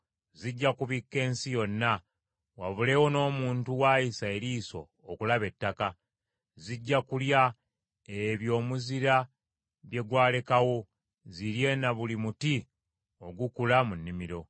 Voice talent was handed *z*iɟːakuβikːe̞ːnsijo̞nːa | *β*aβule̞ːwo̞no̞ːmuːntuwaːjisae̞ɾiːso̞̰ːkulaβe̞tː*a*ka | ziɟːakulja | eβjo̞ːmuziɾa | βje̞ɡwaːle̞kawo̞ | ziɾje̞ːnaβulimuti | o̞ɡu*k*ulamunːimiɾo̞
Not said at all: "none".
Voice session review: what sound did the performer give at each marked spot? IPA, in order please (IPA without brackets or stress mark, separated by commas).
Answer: z, w, a, k